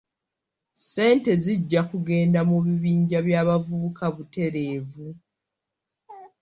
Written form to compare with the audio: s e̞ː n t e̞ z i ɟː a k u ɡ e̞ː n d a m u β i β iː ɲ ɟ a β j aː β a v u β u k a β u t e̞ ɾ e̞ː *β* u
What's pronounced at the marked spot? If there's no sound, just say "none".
v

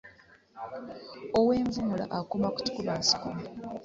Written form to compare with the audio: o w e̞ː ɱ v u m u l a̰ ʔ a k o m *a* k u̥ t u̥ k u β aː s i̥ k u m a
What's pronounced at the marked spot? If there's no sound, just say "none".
a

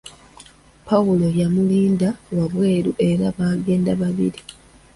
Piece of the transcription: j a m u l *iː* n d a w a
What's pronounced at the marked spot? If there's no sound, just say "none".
iː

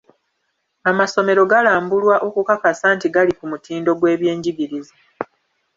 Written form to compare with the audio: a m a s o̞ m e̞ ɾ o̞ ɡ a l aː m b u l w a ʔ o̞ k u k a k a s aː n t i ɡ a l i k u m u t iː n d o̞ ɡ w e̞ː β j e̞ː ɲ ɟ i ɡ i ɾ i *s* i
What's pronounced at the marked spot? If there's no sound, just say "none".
z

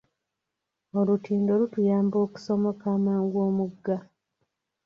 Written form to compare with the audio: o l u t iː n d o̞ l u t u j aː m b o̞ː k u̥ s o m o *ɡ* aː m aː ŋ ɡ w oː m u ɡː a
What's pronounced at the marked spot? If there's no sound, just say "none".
k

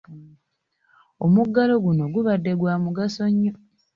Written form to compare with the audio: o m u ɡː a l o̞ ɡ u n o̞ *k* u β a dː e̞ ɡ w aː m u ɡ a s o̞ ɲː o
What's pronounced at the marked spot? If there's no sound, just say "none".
ɡ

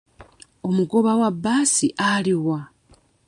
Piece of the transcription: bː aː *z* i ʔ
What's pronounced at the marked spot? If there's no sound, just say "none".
s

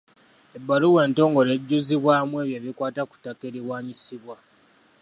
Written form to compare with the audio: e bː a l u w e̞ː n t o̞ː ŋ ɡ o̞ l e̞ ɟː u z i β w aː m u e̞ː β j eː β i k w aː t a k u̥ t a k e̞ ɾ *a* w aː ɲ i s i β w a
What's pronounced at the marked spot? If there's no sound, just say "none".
i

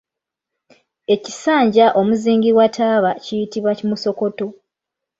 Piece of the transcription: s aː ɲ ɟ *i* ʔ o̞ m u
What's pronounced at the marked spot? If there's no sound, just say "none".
a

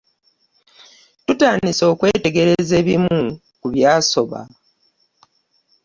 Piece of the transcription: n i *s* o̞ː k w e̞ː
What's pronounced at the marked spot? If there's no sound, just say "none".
s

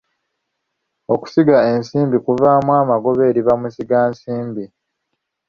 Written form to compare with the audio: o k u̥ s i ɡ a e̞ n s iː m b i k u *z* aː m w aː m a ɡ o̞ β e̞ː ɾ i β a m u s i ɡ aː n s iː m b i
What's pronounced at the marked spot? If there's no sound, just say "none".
v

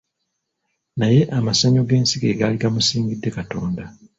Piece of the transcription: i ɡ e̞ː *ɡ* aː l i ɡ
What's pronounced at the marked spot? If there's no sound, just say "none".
ɡ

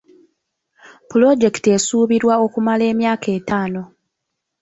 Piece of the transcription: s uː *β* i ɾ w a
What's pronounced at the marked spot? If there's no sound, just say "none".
β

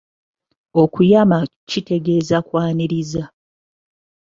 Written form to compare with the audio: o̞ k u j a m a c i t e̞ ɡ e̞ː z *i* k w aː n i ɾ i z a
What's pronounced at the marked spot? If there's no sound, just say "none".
a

